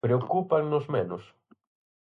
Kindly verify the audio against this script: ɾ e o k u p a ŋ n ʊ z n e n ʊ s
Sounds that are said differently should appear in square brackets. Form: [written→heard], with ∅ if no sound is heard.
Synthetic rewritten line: ɾ e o k u p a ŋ n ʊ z [n→m] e n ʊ s